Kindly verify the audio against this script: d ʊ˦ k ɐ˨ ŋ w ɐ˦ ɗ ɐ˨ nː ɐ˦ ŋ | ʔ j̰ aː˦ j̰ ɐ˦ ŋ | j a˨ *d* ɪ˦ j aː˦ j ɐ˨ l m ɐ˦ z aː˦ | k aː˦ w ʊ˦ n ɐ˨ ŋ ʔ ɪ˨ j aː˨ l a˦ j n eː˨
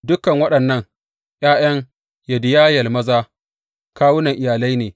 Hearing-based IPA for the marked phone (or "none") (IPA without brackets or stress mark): d